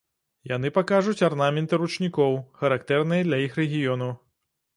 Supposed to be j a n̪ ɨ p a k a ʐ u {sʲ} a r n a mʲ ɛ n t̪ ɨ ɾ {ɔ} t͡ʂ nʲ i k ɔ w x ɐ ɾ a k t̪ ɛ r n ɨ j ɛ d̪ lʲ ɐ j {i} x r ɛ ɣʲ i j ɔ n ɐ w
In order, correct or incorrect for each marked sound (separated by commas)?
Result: incorrect, incorrect, correct